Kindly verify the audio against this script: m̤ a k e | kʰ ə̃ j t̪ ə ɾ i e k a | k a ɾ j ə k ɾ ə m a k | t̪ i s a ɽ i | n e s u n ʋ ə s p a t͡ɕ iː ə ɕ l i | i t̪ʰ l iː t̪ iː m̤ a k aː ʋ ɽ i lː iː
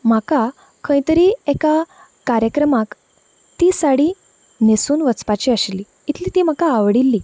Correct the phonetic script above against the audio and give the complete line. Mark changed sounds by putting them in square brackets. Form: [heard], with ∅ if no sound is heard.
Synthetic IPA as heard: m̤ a k [a] | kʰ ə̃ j t̪ ə ɾ i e k a | k a ɾ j ə k ɾ ə m a k | t̪ i s a ɽ i | n e s [uː] n ʋ ə [t͡s] p a t͡ɕ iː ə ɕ l i | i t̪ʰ l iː t̪ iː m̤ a k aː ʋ ɽ i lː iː